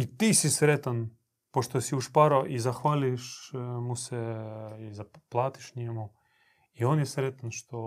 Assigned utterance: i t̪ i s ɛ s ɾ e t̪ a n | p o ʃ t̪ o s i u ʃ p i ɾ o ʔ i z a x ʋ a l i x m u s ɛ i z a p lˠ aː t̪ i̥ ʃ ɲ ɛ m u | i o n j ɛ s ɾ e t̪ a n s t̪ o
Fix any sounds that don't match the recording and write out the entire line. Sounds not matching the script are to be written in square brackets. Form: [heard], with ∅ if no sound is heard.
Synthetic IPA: i t̪ i s [i] s ɾ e t̪ a n | p o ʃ t̪ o s i u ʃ p [a] ɾ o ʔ i z a x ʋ a l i [ʃ] m u s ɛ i z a p lˠ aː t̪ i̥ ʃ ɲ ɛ m u | i o n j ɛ s ɾ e t̪ a n [ʃ] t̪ o